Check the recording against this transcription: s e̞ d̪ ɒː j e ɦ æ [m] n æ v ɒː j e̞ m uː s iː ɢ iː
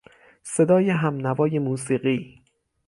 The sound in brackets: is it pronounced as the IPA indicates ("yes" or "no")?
yes